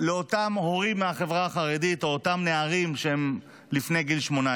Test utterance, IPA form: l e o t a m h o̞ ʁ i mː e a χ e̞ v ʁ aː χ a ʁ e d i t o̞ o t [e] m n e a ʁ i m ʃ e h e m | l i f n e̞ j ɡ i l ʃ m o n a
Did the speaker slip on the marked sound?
yes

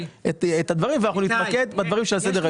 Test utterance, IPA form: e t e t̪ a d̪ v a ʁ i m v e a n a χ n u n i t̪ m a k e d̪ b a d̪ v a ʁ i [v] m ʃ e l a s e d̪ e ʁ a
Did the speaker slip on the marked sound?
yes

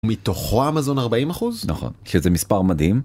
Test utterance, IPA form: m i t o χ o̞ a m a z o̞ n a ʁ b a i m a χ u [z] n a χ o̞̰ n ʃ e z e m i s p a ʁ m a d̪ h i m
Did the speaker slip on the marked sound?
no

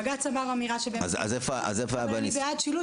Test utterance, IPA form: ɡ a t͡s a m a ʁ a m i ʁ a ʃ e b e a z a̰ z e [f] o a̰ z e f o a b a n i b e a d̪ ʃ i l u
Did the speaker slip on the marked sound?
no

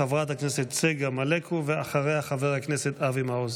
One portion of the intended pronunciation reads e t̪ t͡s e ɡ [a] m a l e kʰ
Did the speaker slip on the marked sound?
no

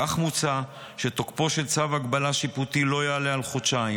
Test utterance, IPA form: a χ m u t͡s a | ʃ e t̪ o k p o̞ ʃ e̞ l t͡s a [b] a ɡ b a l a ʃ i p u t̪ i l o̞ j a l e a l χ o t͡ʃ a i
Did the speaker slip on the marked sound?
yes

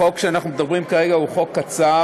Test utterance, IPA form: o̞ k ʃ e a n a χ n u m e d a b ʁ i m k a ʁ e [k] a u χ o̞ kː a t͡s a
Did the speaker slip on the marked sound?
yes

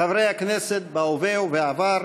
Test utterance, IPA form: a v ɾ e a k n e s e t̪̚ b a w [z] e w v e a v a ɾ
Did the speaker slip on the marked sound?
yes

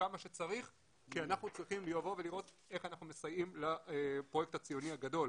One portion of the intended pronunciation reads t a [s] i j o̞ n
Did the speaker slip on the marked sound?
yes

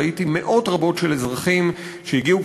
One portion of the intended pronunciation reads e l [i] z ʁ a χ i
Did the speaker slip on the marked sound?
yes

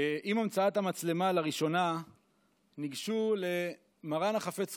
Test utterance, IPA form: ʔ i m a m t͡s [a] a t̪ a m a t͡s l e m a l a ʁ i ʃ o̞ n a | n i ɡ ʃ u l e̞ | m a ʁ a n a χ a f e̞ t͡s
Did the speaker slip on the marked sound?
no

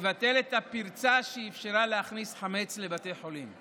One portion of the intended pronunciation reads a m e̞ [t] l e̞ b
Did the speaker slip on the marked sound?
yes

